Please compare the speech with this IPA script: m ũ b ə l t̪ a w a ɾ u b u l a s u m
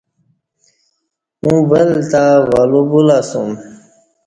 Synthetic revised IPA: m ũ b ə l t̪ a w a l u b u l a s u m